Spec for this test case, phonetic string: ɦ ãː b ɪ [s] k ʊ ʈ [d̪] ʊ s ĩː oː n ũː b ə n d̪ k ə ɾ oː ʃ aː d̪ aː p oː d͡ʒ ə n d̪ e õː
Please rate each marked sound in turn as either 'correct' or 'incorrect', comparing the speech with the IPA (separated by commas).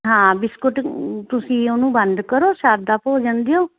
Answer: correct, incorrect